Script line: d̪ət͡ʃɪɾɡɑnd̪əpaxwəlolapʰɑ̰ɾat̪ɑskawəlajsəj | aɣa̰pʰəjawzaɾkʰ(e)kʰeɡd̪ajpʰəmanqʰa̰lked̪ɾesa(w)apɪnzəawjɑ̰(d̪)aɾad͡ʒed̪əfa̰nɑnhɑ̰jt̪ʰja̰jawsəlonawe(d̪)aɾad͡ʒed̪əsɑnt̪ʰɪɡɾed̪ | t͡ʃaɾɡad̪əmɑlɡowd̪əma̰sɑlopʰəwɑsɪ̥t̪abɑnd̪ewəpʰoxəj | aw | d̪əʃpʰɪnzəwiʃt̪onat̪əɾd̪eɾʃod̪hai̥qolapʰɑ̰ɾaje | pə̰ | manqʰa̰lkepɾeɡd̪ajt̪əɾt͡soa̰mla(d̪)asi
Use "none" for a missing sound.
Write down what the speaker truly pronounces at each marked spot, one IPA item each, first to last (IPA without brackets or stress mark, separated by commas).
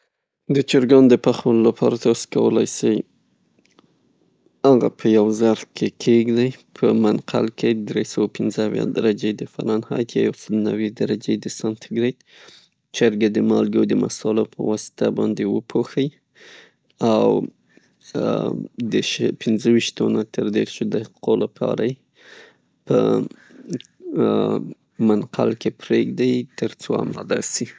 e, w, d̪, d̪, d̪